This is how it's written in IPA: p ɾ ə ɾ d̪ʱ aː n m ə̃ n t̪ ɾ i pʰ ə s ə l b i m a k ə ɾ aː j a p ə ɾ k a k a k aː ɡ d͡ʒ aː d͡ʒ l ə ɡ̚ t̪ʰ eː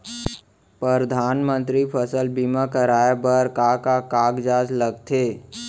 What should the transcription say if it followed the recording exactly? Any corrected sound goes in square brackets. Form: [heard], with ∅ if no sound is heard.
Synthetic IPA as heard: p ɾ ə ɾ d̪ʱ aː n m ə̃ n t̪ ɾ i pʰ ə s ə l b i m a k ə ɾ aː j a [b] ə ɾ k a k a k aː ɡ d͡ʒ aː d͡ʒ l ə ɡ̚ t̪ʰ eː

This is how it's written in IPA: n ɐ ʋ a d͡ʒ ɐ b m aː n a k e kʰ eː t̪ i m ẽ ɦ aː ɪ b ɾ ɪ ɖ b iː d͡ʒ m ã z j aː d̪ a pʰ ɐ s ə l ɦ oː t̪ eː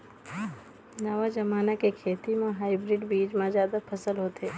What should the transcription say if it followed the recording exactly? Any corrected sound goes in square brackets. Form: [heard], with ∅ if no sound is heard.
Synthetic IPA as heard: n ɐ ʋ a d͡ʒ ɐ [∅] m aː n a k e kʰ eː t̪ i m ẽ ɦ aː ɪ b ɾ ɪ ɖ b iː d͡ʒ m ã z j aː d̪ a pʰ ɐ s ə l ɦ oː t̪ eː

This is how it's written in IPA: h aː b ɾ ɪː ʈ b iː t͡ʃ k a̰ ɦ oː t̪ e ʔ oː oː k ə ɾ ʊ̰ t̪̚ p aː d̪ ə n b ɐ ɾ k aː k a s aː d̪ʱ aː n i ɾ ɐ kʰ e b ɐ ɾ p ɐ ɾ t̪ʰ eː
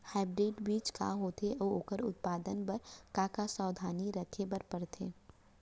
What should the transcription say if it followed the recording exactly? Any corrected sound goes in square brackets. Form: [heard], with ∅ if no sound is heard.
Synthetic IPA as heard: h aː b ɾ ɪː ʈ b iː t͡ʃ k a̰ ɦ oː t̪ e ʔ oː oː k ə ɾ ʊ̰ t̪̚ p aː d̪ ə n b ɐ ɾ k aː k a s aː d̪ʱ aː n i ɾ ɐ kʰ e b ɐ ɾ p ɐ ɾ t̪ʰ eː

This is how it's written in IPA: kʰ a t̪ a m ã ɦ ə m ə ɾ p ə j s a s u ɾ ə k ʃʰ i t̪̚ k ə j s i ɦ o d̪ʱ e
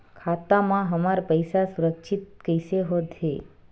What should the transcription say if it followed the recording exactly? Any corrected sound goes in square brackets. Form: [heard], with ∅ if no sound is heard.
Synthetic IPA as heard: kʰ a t̪ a m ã ɦ ə m [a] ɾ p ə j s a s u ɾ ə k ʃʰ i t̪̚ k ə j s [e] ɦ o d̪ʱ e

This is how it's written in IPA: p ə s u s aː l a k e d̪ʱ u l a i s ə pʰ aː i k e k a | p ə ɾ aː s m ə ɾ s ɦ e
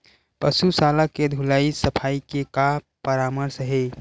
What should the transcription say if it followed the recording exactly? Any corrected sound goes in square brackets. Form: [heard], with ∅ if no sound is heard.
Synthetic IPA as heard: p ə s u s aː l a k e d̪ʱ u l a i s ə pʰ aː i k e k a | p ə ɾ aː [∅] m ə ɾ s ɦ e

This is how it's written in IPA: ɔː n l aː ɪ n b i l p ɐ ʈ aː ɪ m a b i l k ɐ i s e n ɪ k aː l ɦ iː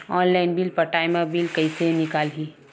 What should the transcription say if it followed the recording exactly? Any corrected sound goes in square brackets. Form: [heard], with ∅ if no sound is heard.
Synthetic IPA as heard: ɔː n l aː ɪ n b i l p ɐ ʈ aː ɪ m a b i l k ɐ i s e n ɪ k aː l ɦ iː

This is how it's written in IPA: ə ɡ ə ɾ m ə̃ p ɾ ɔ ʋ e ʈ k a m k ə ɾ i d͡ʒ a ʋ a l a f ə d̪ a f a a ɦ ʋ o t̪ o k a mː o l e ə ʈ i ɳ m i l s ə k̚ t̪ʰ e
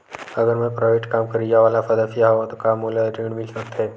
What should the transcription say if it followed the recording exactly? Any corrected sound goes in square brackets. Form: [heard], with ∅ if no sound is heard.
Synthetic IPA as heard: ə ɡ ə ɾ m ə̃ p ɾ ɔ ʋ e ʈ k a m k ə ɾ i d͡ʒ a ʋ a l a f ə d̪ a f [i] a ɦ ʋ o t̪ o k a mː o l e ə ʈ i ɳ m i l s ə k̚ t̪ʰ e

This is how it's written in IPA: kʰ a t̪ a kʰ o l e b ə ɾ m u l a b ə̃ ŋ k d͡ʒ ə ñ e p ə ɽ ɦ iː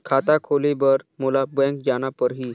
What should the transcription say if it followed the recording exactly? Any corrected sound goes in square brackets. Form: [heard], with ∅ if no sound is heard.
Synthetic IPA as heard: kʰ a t̪ a kʰ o l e b ə ɾ m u l a b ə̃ ŋ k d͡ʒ [a] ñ [a] p ə [ɾ] ɦ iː

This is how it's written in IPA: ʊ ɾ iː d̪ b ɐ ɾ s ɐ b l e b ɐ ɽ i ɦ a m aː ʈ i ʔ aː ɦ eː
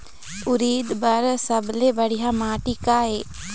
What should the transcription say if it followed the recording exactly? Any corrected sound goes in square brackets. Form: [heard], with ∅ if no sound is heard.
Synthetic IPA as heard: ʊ ɾ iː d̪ b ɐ ɾ s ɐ b l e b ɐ ɽ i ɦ a m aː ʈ i [k] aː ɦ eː

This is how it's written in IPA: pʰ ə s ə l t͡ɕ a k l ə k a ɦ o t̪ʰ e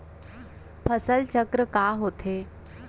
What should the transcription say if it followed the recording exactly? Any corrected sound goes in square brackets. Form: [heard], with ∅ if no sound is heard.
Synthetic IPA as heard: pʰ ə s ə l t͡ɕ [ə] k [ɾ] ə k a ɦ o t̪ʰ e

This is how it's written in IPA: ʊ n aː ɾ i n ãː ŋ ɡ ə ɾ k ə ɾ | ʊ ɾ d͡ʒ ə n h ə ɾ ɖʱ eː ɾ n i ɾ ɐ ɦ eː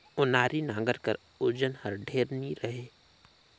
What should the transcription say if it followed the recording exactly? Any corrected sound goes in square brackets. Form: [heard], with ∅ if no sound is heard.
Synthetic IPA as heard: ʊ n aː ɾ i n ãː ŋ ɡ ə ɾ k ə ɾ | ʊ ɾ d͡ʒ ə n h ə ɾ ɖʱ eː ɾ n i ɾ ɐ ɦ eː

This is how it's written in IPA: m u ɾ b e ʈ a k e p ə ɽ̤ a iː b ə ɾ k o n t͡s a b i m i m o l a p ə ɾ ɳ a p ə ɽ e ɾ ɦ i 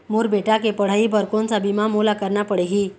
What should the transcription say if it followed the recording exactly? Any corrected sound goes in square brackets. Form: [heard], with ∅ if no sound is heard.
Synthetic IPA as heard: m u ɾ b e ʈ a k e p ə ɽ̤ a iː b ə ɾ k o n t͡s a b i m [a] m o l a [k] ə ɾ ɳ a p ə ɽ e [∅] ɦ i

